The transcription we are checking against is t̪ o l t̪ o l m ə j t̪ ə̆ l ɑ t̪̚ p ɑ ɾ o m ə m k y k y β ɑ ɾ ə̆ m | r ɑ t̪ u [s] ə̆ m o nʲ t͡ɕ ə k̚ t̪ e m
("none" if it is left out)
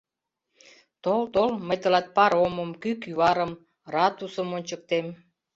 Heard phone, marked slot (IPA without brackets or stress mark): s